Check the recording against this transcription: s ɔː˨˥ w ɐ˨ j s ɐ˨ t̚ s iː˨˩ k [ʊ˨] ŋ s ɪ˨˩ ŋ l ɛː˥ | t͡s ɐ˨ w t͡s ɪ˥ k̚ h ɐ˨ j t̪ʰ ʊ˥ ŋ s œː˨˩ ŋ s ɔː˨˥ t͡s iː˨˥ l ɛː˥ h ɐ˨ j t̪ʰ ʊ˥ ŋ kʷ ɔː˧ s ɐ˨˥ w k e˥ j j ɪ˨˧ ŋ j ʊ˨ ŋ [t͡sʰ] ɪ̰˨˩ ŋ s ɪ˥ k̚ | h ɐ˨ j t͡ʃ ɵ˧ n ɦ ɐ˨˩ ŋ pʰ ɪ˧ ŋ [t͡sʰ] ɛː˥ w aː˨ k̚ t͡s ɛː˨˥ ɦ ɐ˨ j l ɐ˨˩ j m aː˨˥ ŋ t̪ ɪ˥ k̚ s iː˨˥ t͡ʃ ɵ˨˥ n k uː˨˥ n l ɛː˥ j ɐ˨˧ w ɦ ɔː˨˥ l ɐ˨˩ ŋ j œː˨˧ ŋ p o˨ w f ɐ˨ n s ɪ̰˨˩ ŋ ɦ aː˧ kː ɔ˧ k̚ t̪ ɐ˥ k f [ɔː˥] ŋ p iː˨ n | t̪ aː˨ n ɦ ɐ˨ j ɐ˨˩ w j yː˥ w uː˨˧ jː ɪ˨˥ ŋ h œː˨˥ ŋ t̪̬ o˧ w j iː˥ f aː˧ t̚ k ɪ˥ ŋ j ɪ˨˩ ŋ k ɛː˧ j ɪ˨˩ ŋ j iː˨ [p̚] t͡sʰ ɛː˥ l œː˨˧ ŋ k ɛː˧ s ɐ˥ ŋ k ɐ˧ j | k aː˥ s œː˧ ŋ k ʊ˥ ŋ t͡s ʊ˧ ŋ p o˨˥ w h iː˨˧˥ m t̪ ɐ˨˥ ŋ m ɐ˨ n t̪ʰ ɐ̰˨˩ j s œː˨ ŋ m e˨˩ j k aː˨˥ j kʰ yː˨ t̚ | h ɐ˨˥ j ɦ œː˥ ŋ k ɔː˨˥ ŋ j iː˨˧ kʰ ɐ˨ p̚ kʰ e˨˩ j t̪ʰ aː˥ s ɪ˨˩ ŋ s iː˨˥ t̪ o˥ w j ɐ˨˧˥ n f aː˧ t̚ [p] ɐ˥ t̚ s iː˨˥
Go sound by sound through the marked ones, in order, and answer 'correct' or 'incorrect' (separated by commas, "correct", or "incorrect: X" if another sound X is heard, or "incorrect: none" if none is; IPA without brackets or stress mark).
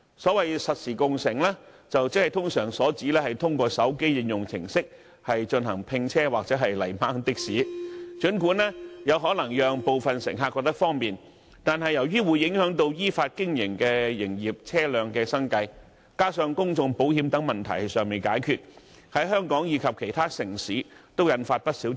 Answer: correct, correct, correct, correct, correct, correct